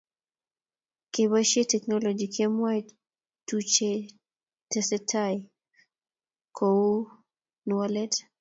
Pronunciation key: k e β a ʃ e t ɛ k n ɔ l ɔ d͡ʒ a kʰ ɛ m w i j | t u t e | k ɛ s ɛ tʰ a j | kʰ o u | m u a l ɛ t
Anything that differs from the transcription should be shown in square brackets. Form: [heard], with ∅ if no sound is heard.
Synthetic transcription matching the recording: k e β a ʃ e t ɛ k n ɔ l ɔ d͡ʒ [i] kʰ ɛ m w [a] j | t u [t͡ʃ] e | [t] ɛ s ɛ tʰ a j | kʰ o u | [n] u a l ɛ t